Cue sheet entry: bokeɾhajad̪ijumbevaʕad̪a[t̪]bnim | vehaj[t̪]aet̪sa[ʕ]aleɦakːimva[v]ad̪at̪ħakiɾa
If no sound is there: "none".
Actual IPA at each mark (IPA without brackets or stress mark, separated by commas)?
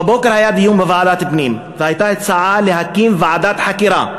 t̪, t̪, ʕ, ʕ